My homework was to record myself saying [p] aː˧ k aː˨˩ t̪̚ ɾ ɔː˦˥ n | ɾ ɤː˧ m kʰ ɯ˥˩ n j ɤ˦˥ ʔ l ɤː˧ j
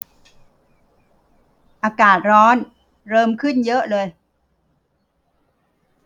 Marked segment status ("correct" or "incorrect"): incorrect